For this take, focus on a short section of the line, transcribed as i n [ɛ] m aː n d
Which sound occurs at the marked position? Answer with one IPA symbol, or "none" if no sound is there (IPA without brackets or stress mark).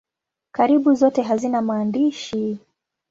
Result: a